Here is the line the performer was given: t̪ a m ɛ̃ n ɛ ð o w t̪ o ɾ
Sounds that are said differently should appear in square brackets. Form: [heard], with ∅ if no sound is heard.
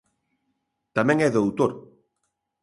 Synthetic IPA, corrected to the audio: t̪ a m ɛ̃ [ŋ] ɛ ð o w t̪ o ɾ